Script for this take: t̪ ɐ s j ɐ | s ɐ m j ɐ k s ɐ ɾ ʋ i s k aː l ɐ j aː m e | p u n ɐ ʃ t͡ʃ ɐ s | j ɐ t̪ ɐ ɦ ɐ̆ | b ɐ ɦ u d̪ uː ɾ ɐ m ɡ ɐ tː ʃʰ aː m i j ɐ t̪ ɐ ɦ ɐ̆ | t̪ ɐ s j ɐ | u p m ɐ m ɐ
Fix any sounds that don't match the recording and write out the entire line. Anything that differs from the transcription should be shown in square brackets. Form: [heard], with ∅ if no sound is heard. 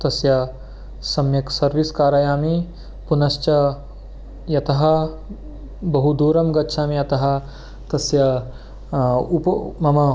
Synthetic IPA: t̪ ɐ s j ɐ | s ɐ m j ɐ k s ɐ ɾ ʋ i s k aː [ɾ] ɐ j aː m [i] | p u n ɐ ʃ t͡ʃ ɐ [∅] | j ɐ t̪ ɐ ɦ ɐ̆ | b ɐ ɦ u d̪ uː ɾ ɐ m ɡ ɐ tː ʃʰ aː m i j ɐ t̪ ɐ ɦ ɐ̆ | t̪ ɐ s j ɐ | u p m ɐ m ɐ